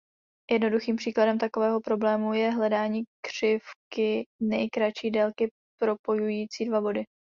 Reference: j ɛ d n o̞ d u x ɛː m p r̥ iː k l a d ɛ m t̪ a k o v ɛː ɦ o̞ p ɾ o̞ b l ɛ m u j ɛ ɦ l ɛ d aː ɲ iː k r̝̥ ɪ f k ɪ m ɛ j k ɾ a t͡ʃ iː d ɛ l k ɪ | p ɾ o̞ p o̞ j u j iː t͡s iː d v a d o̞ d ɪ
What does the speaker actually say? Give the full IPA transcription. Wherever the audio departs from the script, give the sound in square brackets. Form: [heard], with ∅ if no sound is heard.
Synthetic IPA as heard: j ɛ d n o̞ d u x [iː] m p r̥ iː k l a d ɛ m t̪ a k o v ɛː ɦ o̞ p ɾ o̞ b l [ɛː] m u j ɛ ɦ l ɛ d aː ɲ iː k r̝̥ ɪ f k ɪ [n] ɛ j k ɾ a t͡ʃ iː d ɛ l k ɪ | p ɾ o̞ p o̞ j u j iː t͡s iː d v a [b] o̞ d ɪ